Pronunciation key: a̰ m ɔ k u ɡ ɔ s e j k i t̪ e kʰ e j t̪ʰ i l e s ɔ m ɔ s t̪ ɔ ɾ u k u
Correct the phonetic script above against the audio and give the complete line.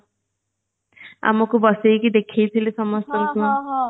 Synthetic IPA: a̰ m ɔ k u b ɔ s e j k i d̪ e kʰ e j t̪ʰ i l e s ɔ m ɔ s t̪ ɔ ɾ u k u